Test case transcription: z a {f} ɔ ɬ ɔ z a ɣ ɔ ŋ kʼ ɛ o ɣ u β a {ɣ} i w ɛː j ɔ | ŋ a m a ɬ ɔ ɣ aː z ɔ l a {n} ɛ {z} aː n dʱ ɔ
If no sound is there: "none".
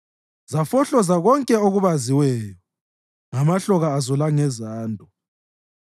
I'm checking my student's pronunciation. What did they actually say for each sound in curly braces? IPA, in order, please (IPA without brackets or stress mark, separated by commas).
f, z, ŋ, z